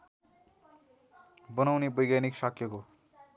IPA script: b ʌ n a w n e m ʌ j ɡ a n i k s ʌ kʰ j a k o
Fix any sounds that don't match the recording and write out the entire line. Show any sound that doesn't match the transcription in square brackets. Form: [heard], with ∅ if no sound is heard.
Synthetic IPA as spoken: b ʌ n a w n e [b] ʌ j ɡ a n i k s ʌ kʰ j [ʌ] k o